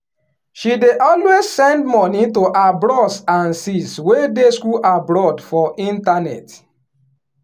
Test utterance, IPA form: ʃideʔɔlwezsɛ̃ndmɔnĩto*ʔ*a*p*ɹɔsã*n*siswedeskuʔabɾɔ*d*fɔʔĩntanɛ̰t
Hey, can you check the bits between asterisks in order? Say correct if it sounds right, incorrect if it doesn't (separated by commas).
correct, incorrect, correct, correct